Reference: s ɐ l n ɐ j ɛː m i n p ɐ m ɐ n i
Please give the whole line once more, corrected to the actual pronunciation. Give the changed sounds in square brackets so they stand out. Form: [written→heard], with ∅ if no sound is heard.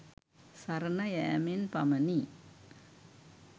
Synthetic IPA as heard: s ɐ [l→ɾ] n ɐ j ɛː m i n p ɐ m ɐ n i